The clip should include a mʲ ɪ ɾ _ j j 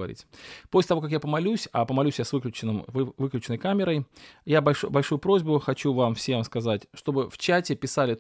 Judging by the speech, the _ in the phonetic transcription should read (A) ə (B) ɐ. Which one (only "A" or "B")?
A